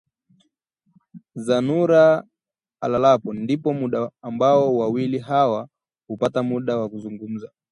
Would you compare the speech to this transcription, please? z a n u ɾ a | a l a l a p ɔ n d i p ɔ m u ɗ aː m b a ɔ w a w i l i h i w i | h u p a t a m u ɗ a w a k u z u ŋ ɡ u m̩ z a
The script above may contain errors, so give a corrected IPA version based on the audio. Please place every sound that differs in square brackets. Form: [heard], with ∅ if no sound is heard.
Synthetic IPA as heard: z a n u ɾ a | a l a l a p ɔ n d i p ɔ m u ɗ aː m b a ɔ w a w i l i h [a] w [a] | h u p a t a m u ɗ a w a k u z u ŋ ɡ u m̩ z a